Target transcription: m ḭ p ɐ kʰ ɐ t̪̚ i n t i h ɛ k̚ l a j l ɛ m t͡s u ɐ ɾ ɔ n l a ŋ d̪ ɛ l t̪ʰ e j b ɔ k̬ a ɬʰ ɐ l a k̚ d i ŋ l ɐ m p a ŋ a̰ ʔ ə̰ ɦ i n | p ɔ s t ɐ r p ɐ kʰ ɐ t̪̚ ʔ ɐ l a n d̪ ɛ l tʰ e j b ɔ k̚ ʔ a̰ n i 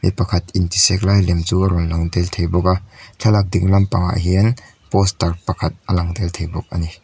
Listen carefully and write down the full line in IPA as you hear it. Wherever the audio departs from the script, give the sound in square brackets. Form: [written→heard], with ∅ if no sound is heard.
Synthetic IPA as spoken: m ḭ p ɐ kʰ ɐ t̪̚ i n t i [h→s] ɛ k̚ l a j l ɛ m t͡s u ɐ ɾ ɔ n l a ŋ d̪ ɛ l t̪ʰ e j b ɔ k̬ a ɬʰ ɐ l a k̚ d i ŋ l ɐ m p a ŋ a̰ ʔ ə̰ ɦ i n | p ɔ s t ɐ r p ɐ kʰ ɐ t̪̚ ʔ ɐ l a [n→ŋ] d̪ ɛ l tʰ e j b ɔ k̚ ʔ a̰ n i